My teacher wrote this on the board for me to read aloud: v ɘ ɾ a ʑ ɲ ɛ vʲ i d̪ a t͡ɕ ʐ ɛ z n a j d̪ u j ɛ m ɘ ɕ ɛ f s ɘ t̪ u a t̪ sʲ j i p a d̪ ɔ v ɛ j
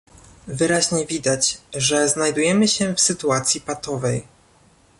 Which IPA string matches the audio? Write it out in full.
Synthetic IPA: v ɘ ɾ a ʑ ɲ ɛ vʲ i d̪ a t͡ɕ ʐ ɛ z n a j d̪ u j ɛ m ɘ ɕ ɛ f s ɘ t̪ u a t̪ sʲ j i p a t̪ ɔ v ɛ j